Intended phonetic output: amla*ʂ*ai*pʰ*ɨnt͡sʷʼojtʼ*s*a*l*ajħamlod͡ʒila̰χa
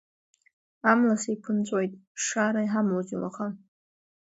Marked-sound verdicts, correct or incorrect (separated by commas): incorrect, correct, incorrect, incorrect